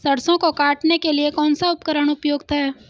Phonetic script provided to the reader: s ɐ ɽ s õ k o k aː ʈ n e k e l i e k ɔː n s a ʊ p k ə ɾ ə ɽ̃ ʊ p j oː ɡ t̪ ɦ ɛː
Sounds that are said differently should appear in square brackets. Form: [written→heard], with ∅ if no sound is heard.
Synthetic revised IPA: s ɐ ɽ s õ k o k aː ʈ n e k e l i e k ɔː n s a ʊ p k ə ɾ ə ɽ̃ ʊ p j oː ɡ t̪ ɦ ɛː